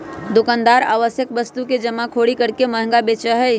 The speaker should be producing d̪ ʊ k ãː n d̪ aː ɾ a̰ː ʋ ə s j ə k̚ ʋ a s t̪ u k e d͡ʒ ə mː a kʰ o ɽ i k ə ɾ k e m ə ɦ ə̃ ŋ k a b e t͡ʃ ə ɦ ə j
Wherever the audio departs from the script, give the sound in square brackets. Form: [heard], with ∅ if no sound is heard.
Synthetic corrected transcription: d̪ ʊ k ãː n d̪ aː ɾ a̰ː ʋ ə s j ə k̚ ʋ [ə] s t̪ u k e d͡ʒ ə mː a kʰ o ɽ i k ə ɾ k e m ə ɦ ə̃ ŋ [ɡ] a b e t͡ʃ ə ɦ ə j